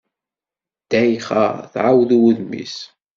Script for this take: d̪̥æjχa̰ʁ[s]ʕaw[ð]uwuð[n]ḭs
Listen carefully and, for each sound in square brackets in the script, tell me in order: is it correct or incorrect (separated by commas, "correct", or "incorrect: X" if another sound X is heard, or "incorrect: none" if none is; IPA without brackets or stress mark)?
incorrect: θ, correct, incorrect: m